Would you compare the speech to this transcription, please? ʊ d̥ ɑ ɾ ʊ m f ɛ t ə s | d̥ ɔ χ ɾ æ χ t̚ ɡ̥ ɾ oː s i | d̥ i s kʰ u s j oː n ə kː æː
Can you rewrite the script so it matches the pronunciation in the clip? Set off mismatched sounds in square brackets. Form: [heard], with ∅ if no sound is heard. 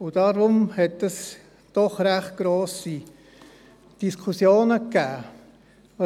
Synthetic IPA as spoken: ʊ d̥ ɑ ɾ ʊ m [h] ɛ t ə s | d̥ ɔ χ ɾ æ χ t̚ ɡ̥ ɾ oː s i | d̥ i s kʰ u s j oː n ə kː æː